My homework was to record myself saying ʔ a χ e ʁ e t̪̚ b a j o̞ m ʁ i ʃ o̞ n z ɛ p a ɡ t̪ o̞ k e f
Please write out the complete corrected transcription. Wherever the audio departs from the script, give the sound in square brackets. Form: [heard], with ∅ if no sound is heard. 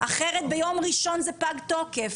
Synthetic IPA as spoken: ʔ a χ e ʁ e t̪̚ b [e] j o̞ m ʁ i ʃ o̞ n z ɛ p a ɡ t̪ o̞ k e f